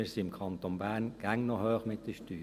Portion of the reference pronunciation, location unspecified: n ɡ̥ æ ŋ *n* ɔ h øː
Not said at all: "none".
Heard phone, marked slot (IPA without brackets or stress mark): n